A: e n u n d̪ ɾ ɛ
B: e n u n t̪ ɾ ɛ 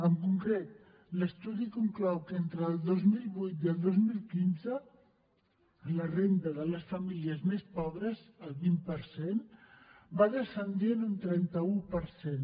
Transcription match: B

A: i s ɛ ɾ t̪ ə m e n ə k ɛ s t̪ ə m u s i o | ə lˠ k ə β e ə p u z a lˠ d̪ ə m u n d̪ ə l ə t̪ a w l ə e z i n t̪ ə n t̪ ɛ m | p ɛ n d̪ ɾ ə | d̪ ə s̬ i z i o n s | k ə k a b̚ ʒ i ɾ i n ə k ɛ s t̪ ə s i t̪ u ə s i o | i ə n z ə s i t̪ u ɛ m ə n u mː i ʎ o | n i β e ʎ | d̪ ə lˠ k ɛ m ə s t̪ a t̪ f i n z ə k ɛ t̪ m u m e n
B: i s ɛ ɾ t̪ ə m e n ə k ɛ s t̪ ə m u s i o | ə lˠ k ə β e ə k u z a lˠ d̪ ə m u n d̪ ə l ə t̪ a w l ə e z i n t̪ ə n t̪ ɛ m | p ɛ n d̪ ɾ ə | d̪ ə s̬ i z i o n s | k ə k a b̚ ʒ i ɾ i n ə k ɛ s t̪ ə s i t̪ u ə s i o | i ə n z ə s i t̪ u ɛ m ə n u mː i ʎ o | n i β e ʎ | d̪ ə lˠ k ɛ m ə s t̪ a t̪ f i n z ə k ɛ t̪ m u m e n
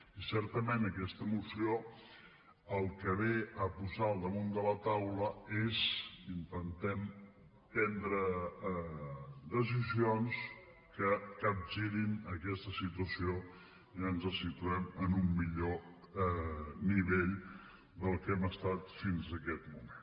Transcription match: A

